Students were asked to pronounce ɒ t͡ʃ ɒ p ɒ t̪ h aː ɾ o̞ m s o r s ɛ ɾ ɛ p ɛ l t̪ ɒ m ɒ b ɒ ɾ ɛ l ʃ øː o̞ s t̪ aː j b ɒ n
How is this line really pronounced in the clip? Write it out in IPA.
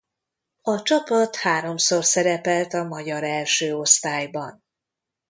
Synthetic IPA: ɒ t͡ʃ ɒ p ɒ t̪ h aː ɾ o̞ m s o r s ɛ ɾ ɛ p ɛ l t̪ ɒ m ɒ ɟ ɒ ɾ ɛ l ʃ øː o̞ s t̪ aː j b ɒ n